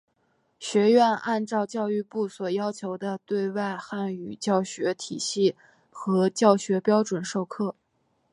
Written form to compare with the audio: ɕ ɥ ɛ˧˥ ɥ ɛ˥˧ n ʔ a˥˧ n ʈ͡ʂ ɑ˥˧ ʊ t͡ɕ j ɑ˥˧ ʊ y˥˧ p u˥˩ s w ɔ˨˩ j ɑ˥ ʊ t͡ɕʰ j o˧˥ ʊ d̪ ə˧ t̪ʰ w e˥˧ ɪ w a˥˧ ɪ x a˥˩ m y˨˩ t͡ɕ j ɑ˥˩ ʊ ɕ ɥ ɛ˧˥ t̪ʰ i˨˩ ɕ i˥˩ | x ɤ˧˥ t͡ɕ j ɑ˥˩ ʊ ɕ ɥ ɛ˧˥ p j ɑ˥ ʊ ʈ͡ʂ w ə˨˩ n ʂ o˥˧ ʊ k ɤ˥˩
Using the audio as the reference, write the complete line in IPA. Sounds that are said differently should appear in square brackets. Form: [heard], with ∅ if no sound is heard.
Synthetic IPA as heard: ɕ ɥ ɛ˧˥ ɥ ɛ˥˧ n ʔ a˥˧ n ʈ͡ʂ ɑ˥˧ ʊ t͡ɕ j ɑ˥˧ ʊ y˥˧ p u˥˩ s w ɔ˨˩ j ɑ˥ ʊ t͡ɕʰ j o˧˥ ʊ d̪ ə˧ [t̪] w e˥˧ ɪ w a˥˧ ɪ x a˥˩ [n] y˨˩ t͡ɕ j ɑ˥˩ ʊ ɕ ɥ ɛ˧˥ t̪ʰ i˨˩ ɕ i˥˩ | x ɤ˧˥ t͡ɕ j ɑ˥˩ ʊ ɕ ɥ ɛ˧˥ p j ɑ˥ ʊ ʈ͡ʂ w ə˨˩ n ʂ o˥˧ ʊ [kʰ] ɤ˥˩